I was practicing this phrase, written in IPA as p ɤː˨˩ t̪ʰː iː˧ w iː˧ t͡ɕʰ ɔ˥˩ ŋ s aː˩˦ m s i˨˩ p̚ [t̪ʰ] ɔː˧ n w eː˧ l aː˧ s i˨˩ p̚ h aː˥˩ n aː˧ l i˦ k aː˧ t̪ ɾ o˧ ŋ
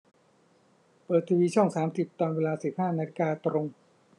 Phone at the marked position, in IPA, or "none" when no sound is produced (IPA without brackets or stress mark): t̪